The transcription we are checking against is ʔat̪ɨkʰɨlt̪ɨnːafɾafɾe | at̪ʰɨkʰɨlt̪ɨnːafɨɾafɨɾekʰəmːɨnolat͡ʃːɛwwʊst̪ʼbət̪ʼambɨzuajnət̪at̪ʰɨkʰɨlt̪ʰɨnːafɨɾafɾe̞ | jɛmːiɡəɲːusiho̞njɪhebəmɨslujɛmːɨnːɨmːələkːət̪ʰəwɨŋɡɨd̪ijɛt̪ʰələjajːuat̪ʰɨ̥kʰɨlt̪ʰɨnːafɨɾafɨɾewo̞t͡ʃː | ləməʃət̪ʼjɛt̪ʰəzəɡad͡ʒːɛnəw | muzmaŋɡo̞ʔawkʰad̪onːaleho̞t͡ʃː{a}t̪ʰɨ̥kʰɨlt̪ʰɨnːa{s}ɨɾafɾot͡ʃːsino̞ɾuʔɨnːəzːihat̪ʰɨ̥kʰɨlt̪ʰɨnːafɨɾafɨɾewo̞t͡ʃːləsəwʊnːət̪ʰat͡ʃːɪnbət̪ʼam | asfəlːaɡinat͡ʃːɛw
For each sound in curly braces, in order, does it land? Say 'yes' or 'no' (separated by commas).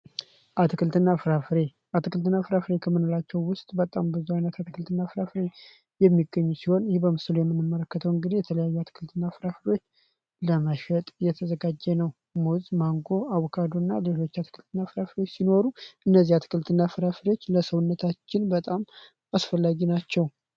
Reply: yes, no